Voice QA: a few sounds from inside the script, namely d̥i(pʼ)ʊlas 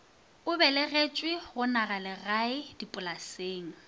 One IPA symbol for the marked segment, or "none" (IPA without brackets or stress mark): pʼ